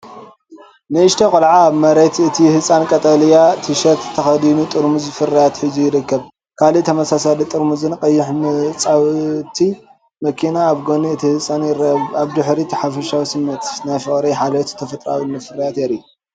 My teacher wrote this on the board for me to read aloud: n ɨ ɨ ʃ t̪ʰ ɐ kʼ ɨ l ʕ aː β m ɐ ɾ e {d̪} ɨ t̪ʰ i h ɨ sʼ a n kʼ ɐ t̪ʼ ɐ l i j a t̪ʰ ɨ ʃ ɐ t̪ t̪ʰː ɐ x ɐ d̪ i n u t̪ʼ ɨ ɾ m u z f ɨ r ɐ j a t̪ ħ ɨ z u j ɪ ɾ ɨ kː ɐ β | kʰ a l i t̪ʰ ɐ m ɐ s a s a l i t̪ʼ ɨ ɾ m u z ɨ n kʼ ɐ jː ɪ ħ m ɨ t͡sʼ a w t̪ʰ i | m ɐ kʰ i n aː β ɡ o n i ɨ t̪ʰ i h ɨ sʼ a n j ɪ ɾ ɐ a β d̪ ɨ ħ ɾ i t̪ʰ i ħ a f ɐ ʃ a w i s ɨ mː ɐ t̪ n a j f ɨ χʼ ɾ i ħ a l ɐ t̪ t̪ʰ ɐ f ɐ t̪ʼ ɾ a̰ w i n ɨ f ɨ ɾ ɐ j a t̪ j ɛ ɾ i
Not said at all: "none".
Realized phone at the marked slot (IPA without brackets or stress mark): t̪